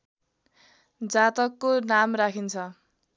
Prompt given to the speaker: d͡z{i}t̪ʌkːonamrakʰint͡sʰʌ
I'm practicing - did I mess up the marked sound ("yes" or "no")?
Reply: yes